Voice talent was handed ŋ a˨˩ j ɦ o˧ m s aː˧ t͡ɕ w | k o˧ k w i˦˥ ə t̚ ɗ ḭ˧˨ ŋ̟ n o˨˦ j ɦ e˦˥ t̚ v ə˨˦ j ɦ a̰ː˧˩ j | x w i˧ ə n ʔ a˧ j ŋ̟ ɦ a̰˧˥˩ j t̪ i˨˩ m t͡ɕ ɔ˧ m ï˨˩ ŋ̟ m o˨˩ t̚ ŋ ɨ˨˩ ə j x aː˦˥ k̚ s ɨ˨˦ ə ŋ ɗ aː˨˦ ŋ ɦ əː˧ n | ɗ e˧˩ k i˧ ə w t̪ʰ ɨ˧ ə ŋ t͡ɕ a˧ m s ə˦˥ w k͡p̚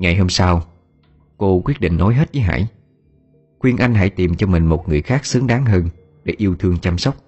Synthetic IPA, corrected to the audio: ŋ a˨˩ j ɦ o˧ m s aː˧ w | k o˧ k w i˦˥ ə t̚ ɗ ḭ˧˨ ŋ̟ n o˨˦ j ɦ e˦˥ t̚ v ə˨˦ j ɦ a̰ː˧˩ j | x w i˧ ə n ʔ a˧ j ŋ̟ ɦ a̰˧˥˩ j t̪ i˨˩ m t͡ɕ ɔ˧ m ï˨˩ ŋ̟ m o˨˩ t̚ ŋ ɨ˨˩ ə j x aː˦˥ k̚ s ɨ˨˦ ə ŋ ɗ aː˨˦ ŋ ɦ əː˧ n | ɗ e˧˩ ʔ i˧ ə w t̪ʰ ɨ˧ ə ŋ t͡ɕ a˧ m s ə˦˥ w k͡p̚